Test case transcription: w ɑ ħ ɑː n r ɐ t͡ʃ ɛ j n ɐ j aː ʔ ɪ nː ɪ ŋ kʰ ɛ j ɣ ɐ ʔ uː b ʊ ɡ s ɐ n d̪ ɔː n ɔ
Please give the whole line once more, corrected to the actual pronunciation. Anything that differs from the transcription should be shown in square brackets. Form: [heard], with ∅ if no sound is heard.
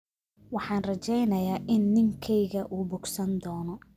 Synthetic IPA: w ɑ ħ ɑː n r ɐ t͡ʃ ɛ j n ɐ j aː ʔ ɪ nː ɪ ŋ kʰ ɛ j ɣ ɐ ʔ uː b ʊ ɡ s ɐ n d̪ ɔː n ɔ

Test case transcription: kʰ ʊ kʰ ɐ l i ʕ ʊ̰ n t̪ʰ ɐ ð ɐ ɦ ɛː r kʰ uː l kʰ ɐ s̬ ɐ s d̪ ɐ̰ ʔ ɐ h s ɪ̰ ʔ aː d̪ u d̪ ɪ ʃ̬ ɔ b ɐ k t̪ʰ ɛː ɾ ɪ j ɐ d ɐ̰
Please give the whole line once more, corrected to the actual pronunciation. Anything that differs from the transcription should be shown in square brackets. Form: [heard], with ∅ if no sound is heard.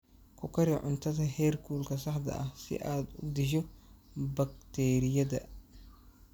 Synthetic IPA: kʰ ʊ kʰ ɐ [ɾ] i ʕ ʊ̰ n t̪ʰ ɐ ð ɐ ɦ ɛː r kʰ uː l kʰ ɐ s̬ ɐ [ħ] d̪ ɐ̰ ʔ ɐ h s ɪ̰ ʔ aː d̪ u d̪ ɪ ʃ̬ ɔ b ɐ k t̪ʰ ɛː ɾ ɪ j ɐ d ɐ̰

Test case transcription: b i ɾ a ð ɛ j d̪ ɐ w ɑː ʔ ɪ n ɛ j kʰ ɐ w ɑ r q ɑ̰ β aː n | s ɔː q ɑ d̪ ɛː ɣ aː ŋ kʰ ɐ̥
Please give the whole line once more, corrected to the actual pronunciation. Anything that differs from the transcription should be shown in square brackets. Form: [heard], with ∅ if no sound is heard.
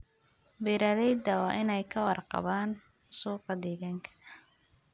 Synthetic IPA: b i ɾ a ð ɛ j d̪ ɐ w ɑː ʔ ɪ n ɛ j kʰ ɐ w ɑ r q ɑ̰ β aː n | s [uː] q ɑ d̪ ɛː ɣ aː ŋ kʰ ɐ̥

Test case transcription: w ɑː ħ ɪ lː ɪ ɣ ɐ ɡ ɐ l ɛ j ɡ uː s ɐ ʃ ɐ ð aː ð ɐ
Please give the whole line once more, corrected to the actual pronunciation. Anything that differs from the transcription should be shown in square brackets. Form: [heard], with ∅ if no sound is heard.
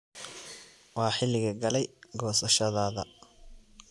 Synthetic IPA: w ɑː ħ ɪ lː ɪ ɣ ɐ ɡ ɐ l ɛ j ɡ [ɔː] s ɐ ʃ ɐ ð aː ð ɐ

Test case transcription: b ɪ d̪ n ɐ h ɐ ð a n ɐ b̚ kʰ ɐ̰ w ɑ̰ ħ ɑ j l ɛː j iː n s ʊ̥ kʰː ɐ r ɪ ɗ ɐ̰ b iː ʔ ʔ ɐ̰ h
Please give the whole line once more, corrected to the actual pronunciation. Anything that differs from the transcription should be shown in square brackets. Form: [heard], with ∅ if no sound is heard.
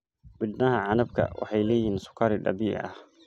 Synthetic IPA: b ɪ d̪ n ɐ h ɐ [ʕ] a n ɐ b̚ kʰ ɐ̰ w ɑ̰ ħ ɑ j l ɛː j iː n s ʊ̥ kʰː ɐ [ɾ] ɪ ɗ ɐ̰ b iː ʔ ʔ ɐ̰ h

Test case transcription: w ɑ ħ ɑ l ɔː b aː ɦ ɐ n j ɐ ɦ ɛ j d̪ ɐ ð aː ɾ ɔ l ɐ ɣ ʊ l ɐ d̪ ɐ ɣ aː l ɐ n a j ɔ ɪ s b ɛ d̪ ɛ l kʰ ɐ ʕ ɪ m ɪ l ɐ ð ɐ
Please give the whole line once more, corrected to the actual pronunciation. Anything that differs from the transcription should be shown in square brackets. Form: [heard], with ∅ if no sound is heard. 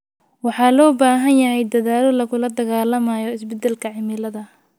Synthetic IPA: w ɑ ħ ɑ l ɔː b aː ɦ ɐ n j ɐ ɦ ɛ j d̪ ɐ ð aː [l] ɔ l ɐ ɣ ʊ l ɐ d̪ ɐ ɣ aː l ɐ [m] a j ɔ ɪ s b ɛ d̪ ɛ l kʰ ɐ ʕ ɪ m ɪ l ɐ ð ɐ

